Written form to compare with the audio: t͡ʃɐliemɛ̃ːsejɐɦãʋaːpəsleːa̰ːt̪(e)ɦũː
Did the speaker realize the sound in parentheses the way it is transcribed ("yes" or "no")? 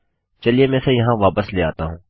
no